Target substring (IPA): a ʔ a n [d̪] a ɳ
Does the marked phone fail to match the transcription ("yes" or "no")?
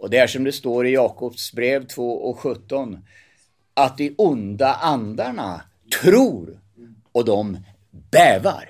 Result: no